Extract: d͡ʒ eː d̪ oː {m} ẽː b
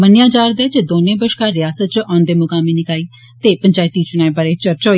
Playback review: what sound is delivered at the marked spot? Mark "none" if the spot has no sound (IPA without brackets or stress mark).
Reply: n